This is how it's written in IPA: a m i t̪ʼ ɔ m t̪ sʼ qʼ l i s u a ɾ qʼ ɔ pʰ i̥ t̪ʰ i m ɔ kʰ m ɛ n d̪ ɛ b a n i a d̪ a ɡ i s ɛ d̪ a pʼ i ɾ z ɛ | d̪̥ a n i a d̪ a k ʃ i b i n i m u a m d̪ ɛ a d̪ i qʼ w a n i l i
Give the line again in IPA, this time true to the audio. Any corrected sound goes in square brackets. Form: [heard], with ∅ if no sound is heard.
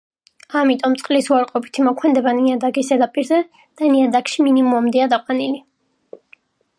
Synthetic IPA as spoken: a m i t̪ʼ ɔ m t̪ sʼ qʼ l i s u a ɾ qʼ ɔ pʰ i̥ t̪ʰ i m ɔ kʰ m ɛ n d̪ ɛ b a n i a d̪ a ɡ i s ɛ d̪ a pʼ i ɾ z ɛ | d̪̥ a n i a d̪ a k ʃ i [m] i n i m u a m d̪ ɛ a d̪ [a] qʼ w a n i l i